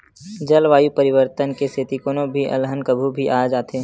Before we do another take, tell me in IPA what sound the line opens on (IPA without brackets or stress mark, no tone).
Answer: d͡ʒ